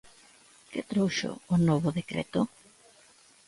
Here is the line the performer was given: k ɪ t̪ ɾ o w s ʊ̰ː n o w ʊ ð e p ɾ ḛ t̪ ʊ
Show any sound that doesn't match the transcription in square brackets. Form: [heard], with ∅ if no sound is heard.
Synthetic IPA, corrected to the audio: k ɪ t̪ ɾ o w [ʃ] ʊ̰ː n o [β] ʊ ð e [k] ɾ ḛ t̪ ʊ